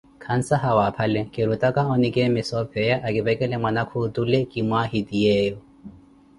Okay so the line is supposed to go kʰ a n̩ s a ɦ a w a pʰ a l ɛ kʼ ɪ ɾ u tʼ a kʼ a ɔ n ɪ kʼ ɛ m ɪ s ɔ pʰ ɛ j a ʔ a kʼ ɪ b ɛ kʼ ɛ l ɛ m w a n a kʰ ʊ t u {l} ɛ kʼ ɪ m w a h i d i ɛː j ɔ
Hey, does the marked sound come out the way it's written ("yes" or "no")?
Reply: yes